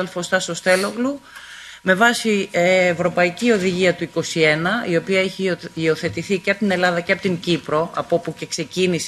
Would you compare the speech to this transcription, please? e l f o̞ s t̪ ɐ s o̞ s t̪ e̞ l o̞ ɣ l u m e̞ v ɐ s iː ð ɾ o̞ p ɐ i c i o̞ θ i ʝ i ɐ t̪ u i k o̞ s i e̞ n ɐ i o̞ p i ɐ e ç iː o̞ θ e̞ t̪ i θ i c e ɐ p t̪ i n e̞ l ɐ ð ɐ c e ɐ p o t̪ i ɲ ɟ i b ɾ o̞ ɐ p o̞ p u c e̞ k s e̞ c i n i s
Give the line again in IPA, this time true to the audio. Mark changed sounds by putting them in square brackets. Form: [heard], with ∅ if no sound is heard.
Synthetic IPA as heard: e l f o̞ s t̪ ɐ s o̞ s t̪ e̞ l o̞ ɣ l u m e̞ v ɐ s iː [v] ɾ o̞ p ɐ i c i o̞ [ð] i ʝ i ɐ t̪ u i k o̞ s i e̞ n ɐ i o̞ p i ɐ e ç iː o̞ θ e̞ t̪ i θ i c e ɐ p t̪ i n e̞ l ɐ ð ɐ c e ɐ p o t̪ i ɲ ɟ i [p] ɾ o̞ ɐ p o̞ p u c e̞ k s e̞ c i n i s